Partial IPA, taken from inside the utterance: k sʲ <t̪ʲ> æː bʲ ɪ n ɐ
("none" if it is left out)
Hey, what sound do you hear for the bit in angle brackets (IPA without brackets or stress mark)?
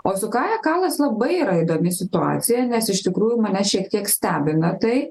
t̪ʲ